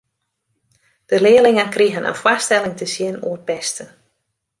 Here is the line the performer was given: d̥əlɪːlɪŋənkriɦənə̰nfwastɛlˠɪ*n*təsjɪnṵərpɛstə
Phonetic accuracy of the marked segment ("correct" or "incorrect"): incorrect